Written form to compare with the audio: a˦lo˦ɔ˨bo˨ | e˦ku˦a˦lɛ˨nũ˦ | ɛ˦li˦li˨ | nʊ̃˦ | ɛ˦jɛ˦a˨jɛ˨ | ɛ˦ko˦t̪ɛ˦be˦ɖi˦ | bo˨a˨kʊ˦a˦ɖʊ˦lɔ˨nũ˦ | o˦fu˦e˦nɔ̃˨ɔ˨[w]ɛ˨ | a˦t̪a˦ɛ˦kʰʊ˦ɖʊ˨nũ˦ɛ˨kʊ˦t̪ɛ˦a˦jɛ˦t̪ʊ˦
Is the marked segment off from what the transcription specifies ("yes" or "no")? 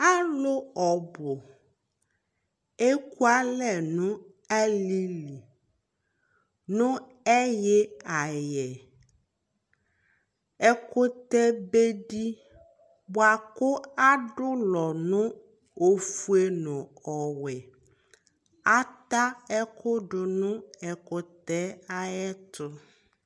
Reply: no